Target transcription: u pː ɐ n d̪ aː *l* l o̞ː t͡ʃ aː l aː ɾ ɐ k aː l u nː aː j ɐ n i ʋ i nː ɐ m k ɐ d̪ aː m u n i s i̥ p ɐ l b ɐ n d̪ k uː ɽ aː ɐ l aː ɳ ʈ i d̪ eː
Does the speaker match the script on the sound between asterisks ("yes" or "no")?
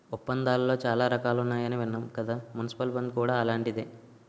yes